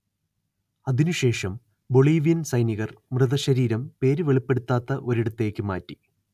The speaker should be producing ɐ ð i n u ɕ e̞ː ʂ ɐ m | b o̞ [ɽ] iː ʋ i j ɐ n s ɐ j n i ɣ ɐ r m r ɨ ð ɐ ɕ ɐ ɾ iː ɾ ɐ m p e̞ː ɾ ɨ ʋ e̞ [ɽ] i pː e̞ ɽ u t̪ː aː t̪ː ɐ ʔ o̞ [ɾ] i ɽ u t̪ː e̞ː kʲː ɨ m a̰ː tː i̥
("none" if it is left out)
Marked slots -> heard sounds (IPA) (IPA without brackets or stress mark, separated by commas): ɭ, ɭ, ɾ